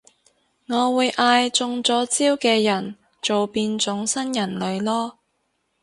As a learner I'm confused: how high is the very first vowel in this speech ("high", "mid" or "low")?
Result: mid